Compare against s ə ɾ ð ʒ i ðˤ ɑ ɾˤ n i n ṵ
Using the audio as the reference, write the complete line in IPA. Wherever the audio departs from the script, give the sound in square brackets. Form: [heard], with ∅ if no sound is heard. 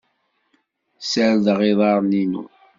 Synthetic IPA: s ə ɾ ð [ʁ] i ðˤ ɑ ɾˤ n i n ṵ

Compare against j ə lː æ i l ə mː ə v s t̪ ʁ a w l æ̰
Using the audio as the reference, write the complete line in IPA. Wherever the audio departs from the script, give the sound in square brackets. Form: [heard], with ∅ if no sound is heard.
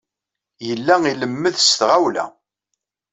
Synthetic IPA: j ə lː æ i l ə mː ə [ð] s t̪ ʁ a w l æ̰

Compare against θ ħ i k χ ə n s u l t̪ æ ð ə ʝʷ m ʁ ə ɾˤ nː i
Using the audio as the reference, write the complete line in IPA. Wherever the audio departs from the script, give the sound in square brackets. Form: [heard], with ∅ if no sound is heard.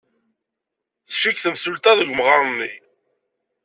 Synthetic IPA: θ [ʃ] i k [θ] ə [m] s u l t̪ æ ð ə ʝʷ m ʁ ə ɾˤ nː i

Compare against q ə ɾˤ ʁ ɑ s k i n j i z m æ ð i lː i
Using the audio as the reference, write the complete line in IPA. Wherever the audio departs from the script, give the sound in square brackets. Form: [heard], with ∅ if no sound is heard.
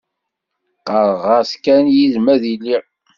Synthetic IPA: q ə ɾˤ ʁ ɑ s k [æ] n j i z m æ ð i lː i

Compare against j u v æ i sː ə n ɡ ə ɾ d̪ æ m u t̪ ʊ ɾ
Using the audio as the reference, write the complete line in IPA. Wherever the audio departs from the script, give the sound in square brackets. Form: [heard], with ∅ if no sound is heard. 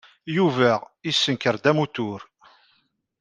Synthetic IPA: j u v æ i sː ə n [k] ə ɾ d̪ æ m u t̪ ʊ ɾ

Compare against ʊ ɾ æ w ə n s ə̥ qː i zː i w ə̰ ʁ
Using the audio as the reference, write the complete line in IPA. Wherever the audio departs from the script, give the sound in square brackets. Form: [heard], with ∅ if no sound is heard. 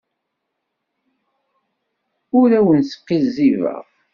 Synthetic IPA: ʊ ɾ æ w ə n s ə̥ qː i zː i [v] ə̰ ʁ

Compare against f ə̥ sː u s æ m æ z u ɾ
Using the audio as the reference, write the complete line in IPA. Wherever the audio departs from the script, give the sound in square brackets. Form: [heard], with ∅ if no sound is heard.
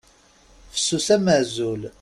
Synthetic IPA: f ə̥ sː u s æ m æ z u [l]

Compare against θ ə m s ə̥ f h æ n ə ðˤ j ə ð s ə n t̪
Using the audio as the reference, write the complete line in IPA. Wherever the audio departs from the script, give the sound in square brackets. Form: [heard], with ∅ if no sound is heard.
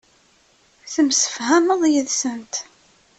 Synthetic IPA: θ ə m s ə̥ f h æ [m] ə ðˤ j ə ð s ə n t̪

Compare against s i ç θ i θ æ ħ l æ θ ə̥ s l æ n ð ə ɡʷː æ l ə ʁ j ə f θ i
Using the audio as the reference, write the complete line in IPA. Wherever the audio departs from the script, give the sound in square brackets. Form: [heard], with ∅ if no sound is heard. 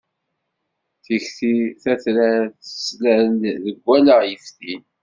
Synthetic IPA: [θ] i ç θ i θ æ [θ] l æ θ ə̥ s l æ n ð ə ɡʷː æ l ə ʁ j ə f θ i

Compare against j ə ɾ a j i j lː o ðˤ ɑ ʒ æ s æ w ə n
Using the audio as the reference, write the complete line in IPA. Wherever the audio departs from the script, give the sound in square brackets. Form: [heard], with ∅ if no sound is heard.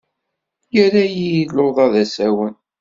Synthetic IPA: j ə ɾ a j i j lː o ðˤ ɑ [ð] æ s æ w ə n

